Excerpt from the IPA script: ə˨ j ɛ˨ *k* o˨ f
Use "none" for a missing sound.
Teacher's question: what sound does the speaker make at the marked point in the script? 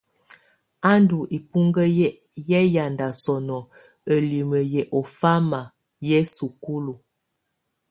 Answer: ʔ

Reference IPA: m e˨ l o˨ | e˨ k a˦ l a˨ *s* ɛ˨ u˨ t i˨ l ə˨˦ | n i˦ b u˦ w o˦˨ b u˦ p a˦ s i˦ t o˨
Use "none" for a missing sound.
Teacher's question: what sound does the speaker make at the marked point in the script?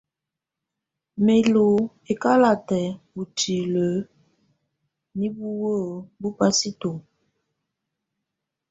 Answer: t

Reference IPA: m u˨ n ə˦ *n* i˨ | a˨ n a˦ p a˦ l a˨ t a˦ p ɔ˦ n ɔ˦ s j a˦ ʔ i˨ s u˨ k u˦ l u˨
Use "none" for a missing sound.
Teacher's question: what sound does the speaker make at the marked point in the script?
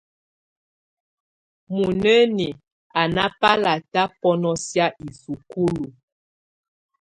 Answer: n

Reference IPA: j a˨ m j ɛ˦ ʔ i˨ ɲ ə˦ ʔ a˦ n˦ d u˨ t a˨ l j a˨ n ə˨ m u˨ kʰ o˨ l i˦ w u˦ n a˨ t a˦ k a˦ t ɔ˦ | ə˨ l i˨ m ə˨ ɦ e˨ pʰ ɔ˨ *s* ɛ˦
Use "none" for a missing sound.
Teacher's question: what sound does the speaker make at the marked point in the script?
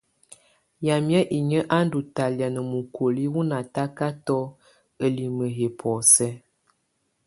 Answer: s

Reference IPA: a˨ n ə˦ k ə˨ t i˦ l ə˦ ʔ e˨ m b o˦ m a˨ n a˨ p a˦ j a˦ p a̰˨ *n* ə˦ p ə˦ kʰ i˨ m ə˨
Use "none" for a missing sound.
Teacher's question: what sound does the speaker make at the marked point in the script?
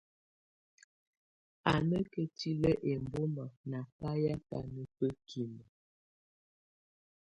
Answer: n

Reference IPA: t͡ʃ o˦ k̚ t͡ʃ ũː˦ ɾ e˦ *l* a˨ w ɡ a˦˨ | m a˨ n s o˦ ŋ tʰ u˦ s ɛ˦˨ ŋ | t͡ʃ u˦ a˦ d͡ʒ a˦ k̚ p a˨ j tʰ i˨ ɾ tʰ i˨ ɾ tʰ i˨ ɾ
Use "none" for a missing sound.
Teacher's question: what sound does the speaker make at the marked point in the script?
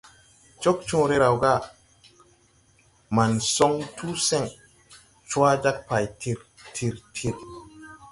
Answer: ɾ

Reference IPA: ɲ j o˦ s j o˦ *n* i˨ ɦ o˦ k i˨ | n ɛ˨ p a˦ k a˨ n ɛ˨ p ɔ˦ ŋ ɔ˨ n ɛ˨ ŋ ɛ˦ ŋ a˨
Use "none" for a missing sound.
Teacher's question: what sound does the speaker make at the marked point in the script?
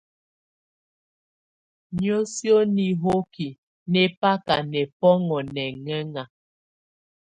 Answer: n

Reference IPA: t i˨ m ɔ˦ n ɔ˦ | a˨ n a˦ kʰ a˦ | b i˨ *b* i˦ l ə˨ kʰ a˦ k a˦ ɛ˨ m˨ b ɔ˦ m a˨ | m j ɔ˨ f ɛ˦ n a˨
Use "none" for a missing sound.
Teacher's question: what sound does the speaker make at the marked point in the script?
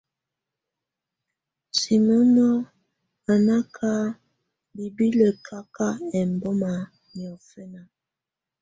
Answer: b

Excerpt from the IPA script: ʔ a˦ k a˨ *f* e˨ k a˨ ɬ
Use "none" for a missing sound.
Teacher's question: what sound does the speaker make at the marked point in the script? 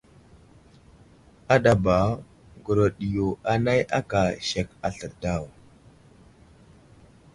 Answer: ʃ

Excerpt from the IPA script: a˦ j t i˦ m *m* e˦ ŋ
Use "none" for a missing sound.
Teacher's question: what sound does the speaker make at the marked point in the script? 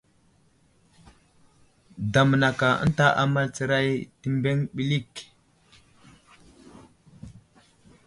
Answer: b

